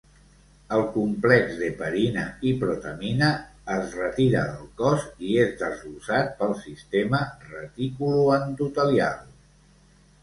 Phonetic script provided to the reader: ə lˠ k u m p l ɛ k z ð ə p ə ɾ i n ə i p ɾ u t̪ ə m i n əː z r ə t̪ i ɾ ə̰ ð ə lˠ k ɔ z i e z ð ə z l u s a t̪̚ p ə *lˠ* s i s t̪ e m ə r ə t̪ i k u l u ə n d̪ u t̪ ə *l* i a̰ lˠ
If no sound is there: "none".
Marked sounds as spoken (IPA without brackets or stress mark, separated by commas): lˠ, l